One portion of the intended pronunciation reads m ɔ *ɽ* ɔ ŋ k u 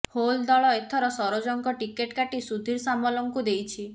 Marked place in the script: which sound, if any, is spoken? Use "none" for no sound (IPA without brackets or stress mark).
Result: l